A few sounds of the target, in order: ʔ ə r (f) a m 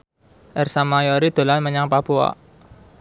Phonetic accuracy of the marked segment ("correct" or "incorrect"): incorrect